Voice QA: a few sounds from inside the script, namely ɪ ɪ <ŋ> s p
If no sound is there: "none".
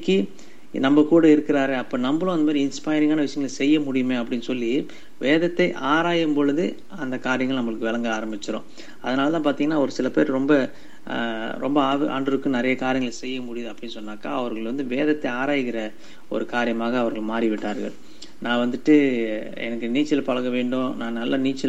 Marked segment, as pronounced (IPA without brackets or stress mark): n